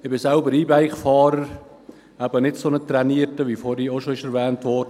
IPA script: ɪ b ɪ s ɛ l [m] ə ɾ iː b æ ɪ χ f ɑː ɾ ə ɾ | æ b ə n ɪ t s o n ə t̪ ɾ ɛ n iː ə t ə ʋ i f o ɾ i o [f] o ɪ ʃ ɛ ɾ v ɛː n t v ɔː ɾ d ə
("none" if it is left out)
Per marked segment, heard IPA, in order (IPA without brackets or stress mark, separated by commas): b, ʃ